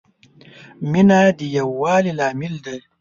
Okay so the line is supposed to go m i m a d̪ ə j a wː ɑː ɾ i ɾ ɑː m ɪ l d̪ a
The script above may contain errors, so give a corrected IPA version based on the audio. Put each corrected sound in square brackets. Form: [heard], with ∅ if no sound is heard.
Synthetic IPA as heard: m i [n] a d̪ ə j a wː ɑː [l] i [l] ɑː m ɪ l d̪ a